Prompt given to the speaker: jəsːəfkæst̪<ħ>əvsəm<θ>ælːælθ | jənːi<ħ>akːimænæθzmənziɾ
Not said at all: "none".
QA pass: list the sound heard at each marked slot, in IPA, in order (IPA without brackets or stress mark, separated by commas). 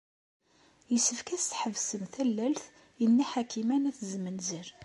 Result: ħ, θ, ħ